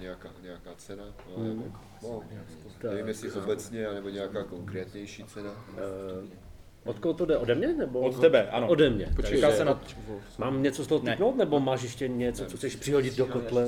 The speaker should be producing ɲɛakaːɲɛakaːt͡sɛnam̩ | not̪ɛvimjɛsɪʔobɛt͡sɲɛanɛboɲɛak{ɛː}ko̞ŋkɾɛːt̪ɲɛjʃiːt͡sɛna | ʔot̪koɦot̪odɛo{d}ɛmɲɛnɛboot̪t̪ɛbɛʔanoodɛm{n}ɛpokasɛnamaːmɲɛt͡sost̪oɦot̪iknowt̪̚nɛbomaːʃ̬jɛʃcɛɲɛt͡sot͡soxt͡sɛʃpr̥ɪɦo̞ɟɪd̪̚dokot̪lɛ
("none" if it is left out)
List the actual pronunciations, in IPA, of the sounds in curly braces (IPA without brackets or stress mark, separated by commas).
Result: aː, d, ɲ